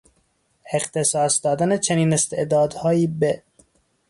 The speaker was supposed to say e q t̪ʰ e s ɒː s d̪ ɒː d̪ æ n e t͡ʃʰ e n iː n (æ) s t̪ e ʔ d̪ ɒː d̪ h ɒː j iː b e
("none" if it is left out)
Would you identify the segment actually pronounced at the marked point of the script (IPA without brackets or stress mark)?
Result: e